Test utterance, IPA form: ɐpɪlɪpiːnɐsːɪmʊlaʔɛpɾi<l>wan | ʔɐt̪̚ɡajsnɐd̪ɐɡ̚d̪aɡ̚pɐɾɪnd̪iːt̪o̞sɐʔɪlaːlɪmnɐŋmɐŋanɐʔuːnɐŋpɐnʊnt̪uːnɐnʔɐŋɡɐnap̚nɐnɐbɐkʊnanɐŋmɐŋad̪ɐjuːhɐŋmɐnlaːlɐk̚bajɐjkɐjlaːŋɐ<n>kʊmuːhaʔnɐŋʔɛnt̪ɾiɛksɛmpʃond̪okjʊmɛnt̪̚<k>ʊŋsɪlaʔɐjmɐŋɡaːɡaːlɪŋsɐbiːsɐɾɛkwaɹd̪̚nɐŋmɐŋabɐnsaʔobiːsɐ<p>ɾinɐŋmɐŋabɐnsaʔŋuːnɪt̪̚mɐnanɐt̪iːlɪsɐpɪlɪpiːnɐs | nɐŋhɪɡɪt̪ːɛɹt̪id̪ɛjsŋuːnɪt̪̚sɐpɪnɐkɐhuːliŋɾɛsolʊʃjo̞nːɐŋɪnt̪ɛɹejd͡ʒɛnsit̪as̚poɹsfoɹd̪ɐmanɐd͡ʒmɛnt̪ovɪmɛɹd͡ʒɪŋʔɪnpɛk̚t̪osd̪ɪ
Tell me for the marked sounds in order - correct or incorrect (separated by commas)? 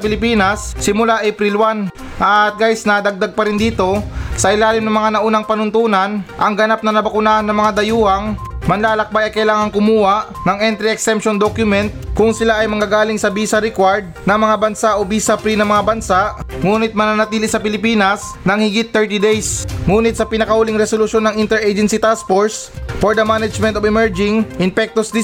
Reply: correct, incorrect, correct, correct